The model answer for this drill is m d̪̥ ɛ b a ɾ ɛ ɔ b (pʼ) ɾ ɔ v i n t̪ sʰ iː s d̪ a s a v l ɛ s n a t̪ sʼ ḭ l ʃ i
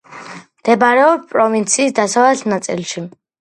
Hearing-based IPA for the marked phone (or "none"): pʼ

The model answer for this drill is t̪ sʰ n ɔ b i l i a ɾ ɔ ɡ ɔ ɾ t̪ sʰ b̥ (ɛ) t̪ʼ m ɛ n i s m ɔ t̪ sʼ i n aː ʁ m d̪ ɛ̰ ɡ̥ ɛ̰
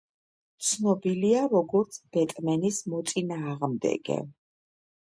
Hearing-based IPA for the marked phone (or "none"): ɛ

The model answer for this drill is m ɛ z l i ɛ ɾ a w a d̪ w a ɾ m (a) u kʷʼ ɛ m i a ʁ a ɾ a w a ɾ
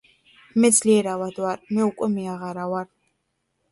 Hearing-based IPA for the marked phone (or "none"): ɛ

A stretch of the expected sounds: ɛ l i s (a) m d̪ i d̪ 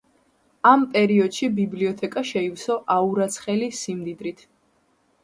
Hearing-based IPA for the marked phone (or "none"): i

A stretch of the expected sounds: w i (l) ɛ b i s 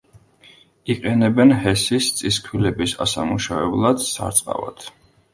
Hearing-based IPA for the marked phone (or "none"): l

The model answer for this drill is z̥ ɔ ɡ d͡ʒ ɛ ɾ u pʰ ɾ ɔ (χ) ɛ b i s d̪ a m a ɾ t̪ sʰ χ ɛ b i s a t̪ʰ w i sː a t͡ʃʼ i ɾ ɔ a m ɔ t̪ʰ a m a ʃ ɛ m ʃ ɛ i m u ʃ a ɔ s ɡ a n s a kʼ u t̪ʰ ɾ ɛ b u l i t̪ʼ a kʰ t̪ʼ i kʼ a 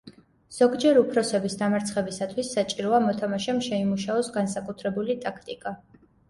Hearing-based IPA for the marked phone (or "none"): s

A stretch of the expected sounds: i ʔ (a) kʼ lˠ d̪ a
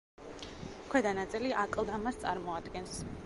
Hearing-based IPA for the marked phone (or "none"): a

